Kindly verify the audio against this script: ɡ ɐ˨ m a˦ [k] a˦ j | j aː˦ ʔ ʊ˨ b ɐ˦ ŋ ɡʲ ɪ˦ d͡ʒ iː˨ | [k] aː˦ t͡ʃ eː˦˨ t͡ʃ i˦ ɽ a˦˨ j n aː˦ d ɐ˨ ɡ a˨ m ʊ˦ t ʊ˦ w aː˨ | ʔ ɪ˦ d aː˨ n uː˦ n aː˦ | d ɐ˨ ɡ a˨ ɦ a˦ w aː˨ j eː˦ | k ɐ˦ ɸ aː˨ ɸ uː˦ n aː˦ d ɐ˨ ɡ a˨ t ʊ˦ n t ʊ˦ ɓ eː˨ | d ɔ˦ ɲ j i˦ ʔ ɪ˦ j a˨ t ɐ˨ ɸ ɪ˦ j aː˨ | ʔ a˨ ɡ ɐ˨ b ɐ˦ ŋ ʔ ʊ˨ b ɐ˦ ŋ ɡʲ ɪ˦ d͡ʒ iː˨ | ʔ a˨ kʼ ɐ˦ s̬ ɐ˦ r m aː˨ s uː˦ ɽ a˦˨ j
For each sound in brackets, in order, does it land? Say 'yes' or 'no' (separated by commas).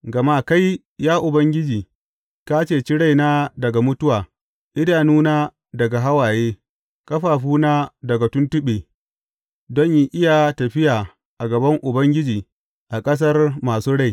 yes, yes